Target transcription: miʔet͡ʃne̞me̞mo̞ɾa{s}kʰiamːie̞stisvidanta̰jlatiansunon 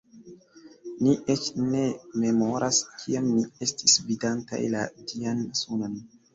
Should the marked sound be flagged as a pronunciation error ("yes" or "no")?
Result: no